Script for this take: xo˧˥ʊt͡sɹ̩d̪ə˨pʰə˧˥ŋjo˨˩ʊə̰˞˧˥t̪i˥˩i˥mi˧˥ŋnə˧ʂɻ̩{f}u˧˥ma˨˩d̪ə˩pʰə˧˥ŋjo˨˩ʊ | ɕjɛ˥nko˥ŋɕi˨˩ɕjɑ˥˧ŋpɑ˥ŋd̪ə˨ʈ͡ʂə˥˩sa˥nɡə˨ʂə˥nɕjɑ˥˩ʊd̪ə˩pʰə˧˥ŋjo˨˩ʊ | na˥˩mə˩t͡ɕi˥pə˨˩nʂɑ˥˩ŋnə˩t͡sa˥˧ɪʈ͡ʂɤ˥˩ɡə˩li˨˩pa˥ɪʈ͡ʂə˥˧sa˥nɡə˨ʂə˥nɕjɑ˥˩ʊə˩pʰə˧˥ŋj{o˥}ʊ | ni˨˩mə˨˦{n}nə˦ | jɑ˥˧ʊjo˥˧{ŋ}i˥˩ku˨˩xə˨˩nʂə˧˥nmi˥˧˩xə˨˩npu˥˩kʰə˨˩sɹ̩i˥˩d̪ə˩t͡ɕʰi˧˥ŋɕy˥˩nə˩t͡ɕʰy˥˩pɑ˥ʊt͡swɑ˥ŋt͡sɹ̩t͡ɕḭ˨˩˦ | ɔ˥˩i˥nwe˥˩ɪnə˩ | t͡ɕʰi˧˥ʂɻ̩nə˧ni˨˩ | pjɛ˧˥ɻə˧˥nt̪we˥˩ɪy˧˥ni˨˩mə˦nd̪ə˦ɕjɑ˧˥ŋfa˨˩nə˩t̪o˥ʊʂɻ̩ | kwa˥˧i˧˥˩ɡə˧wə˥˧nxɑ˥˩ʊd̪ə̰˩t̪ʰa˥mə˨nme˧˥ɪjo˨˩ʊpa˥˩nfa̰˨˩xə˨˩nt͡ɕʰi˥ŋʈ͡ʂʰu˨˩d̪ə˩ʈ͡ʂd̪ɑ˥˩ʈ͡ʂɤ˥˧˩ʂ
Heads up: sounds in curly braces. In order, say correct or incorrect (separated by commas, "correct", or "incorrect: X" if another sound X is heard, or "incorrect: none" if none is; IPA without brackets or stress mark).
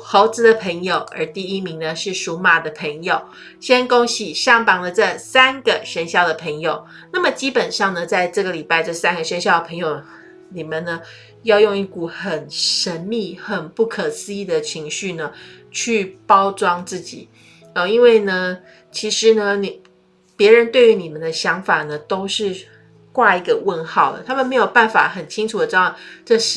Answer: incorrect: ʂ, incorrect: o˨˩, correct, correct